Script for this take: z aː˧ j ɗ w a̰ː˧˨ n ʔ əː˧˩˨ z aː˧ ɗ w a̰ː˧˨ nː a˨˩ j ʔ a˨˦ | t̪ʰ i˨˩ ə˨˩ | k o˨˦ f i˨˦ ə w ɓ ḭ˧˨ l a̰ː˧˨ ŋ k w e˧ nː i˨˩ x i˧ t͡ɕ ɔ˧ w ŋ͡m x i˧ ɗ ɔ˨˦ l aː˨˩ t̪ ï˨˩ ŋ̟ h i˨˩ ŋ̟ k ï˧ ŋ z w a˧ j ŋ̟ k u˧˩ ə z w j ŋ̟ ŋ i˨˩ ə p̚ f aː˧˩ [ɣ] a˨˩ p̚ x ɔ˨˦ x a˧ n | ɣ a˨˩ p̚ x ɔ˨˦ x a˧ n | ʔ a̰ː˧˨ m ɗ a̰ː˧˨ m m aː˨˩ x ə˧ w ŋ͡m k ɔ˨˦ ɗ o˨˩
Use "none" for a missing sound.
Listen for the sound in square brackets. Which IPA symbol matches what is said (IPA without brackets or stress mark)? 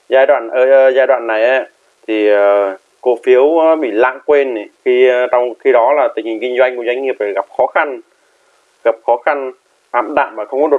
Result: ɣ